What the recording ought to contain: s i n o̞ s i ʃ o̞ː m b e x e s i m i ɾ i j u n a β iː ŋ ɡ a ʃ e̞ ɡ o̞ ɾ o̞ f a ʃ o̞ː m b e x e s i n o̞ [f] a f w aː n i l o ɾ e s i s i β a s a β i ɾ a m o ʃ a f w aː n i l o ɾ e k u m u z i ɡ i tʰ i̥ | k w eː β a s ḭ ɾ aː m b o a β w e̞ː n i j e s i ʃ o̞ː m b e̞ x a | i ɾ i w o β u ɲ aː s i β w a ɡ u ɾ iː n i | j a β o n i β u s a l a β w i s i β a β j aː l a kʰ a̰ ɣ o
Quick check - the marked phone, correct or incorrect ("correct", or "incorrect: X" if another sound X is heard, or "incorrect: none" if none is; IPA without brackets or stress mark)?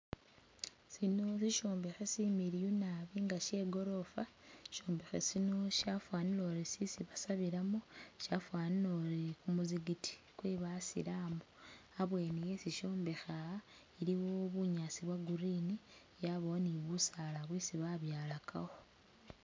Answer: incorrect: ʃ